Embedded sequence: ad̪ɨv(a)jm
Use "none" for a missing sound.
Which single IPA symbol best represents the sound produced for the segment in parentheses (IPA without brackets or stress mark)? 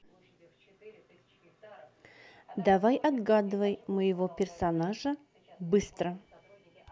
ə